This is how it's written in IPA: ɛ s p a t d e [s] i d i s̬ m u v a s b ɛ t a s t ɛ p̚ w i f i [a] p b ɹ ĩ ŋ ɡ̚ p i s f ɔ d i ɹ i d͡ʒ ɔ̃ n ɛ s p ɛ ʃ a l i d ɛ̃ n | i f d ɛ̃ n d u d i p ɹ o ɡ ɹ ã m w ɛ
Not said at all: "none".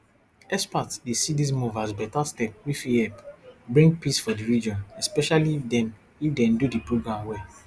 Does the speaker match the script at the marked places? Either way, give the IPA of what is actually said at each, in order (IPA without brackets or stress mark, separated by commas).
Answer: s, ɛ